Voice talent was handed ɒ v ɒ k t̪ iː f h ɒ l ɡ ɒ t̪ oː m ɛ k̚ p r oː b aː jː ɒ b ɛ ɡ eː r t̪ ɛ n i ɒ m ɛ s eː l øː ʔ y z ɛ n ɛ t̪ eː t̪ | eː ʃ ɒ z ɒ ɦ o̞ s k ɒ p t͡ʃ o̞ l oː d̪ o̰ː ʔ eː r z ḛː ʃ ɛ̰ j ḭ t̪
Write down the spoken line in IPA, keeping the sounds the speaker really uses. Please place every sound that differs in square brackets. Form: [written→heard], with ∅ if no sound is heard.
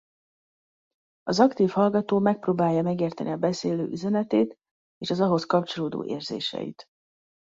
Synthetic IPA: ɒ [v→z] ɒ k t̪ iː f h ɒ l ɡ ɒ t̪ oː m ɛ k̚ p r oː b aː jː ɒ [b→m] ɛ ɡ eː r t̪ ɛ n i ɒ [m→b] ɛ s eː l øː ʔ y z ɛ n ɛ t̪ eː t̪ | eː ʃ ɒ z ɒ ɦ o̞ s k ɒ p t͡ʃ o̞ l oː d̪ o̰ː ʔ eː r z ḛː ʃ ɛ̰ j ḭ t̪